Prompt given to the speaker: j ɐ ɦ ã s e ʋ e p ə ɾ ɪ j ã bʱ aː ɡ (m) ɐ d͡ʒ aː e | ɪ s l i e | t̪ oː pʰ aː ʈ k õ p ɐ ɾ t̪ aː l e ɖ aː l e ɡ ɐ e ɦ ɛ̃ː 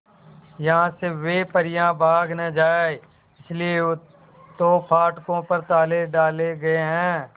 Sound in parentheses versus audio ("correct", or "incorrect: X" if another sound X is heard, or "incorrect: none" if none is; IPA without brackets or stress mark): incorrect: n